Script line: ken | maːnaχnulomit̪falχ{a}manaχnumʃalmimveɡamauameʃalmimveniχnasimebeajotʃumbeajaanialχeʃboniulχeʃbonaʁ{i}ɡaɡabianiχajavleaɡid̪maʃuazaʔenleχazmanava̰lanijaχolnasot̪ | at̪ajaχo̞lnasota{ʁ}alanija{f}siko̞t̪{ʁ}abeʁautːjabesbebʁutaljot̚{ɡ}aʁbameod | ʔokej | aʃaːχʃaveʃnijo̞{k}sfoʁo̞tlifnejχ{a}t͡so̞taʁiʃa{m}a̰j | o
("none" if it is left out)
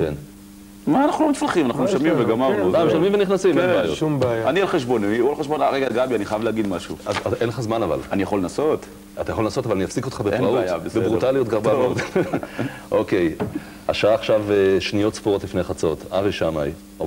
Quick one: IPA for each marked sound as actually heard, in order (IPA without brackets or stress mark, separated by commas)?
i, e, v, f, χ, ɡ, t, a, m